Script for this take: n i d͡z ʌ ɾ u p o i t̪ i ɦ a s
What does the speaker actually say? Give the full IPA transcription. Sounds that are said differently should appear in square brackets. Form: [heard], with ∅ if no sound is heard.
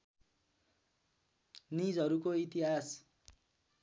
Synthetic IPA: n i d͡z ʌ ɾ u [k] o i t̪ i ɦ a s